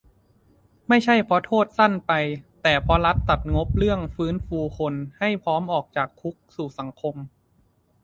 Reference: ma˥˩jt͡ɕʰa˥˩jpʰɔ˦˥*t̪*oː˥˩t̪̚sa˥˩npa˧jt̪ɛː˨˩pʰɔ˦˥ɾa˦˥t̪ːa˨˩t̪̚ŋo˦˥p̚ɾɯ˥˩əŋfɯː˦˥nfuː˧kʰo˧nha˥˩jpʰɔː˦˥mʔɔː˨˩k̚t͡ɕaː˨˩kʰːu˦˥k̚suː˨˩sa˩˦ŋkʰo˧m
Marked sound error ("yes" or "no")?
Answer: yes